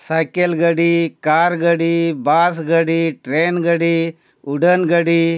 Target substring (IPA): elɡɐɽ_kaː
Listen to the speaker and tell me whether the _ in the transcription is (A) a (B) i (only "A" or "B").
B